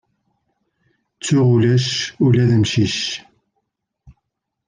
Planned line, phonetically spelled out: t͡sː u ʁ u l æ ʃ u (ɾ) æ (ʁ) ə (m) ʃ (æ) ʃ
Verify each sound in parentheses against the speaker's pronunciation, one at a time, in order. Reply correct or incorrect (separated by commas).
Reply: incorrect, incorrect, correct, incorrect